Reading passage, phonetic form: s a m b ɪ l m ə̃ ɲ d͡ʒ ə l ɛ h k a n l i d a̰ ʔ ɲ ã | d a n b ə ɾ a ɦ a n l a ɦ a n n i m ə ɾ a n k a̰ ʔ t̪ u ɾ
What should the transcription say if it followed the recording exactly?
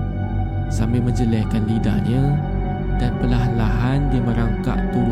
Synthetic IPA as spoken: s a m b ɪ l m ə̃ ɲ d͡ʒ ə l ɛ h k a n l i d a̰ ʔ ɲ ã | d a n p ə l a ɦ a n l a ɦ a n d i m ə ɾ a ŋ k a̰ ʔ t̪ u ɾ